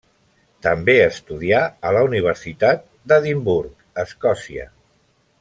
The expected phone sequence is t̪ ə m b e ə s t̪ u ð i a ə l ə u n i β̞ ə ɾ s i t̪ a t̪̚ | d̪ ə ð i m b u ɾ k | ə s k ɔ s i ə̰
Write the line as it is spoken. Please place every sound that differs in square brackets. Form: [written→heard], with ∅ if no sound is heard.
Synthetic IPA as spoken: t̪ ə m b e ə s t̪ u ð i a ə l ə u n i β̞ ə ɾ s i t̪ a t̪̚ | d̪ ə ð i m b u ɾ k | ə s k ɔ s i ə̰